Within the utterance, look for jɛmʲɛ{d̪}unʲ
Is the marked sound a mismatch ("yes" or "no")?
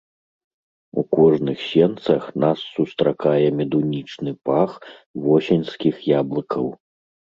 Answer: no